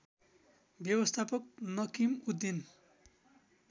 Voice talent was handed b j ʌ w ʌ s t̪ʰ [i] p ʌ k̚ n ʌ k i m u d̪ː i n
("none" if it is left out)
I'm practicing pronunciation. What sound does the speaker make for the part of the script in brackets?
a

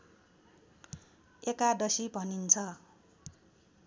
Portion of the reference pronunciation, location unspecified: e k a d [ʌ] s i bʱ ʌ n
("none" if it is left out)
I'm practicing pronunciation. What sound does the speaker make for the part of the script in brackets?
ʌ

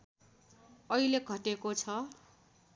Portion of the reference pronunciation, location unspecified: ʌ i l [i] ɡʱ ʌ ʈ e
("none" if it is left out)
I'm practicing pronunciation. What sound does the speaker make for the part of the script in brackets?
e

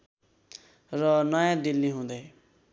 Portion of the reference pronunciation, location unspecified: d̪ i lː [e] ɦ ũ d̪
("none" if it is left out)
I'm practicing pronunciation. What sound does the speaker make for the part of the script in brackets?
i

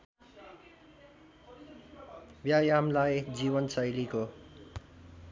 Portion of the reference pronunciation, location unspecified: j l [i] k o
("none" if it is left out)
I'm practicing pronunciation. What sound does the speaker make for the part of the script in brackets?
i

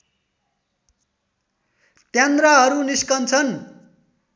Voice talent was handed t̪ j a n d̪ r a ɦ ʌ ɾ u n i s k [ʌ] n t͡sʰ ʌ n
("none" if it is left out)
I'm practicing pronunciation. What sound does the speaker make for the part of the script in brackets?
ʌ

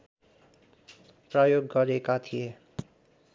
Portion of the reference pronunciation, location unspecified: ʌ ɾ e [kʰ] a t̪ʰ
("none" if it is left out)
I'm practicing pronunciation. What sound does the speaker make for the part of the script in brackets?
k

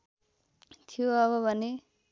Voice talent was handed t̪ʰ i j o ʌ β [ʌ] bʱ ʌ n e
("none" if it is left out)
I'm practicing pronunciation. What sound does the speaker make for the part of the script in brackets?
ʌ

